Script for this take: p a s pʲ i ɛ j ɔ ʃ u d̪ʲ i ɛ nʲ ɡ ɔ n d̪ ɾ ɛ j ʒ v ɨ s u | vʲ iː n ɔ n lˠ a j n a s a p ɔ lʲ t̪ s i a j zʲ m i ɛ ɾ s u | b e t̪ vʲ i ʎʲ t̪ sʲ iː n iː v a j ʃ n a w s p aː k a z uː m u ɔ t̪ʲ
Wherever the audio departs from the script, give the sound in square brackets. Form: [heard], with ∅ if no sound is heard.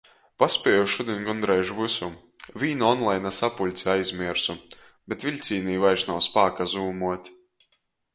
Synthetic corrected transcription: p a s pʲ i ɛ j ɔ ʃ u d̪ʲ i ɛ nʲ ɡ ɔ n d̪ ɾ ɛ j ʒ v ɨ s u | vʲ iː n ɔ n lˠ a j n a s a p [u] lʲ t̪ s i a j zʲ m i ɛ ɾ s u | b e t̪ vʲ i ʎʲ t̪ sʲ iː n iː v a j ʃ n a w s p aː k a z uː m u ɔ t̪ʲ